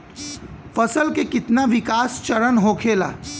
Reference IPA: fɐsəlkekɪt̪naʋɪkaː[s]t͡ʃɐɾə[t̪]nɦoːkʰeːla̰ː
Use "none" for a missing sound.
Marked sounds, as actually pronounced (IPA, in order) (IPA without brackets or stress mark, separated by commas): s, none